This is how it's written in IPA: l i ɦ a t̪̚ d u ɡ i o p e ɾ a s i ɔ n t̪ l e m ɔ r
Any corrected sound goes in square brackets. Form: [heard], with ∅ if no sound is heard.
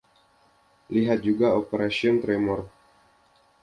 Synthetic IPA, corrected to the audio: l i ɦ a t̪̚ [d͡ʒ] u ɡ [a] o p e ɾ a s i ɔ n t̪ [ɾ] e m ɔ r